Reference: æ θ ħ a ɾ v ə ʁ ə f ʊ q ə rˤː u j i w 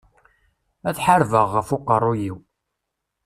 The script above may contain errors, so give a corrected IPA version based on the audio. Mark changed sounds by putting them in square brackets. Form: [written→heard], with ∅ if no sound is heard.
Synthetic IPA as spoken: æ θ ħ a ɾ v ə [ʁ→ʁː] ə f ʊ q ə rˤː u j i w